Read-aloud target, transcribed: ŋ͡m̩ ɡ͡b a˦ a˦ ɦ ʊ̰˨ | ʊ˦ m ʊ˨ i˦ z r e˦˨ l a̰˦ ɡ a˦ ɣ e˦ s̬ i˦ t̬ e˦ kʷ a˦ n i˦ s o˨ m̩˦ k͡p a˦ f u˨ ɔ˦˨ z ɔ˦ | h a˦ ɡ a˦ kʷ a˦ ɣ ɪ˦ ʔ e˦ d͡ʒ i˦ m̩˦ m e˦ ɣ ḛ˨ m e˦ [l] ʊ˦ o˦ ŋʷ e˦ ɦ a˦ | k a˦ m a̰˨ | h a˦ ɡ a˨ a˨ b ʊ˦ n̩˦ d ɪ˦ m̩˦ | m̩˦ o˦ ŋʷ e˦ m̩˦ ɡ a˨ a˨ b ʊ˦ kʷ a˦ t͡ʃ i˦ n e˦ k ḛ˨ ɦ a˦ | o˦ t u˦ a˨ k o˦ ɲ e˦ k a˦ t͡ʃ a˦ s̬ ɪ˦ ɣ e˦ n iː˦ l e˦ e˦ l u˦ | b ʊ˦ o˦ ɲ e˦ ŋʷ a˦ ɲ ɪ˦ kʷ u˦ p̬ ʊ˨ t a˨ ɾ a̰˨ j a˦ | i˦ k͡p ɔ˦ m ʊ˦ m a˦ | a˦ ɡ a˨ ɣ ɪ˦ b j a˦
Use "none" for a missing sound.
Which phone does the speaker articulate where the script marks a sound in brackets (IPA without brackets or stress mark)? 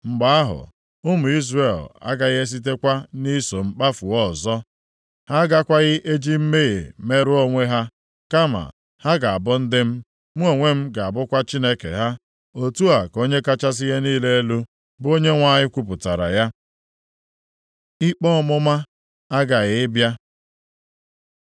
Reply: ɾ